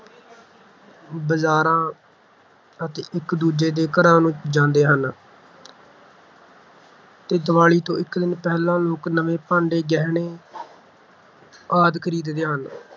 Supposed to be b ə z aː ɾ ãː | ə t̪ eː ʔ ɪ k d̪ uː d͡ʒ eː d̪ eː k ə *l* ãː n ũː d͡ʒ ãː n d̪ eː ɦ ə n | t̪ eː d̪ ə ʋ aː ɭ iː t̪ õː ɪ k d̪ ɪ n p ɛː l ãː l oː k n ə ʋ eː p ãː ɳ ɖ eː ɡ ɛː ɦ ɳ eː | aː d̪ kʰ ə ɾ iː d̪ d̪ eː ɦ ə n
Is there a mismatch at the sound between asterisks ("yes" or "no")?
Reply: yes